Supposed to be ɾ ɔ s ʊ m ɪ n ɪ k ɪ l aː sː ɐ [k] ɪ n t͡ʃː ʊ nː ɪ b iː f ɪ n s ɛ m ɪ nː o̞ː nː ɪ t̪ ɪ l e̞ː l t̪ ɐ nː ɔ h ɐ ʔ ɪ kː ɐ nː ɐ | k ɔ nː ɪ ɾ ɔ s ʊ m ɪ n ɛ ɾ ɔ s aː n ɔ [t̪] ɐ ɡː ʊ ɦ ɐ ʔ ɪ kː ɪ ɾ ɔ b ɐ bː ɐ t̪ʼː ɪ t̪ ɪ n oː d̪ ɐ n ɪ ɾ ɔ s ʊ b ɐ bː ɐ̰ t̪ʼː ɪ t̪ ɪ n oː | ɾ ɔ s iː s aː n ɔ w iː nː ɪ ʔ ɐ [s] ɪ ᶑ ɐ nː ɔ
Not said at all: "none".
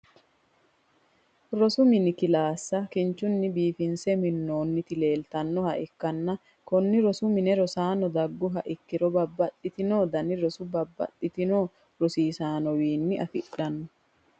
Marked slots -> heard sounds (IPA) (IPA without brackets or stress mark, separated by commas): k, d̪, f